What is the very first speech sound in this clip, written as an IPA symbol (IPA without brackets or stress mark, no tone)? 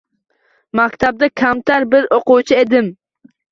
m